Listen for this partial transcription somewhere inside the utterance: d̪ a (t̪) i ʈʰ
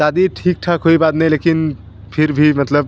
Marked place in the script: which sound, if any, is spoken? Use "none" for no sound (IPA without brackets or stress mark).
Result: d̪